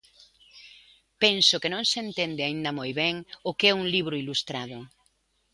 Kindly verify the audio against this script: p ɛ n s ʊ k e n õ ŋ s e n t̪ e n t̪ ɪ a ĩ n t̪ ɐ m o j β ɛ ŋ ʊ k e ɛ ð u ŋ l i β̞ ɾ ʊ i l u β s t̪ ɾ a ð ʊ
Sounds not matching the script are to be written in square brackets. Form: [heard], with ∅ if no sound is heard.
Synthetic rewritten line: p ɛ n s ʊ k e n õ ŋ s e n t̪ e n [d̪] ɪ a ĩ n [d̪] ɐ m o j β ɛ ŋ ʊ k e ɛ [∅] u ŋ l i β̞ ɾ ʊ i l u [∅] s t̪ ɾ a ð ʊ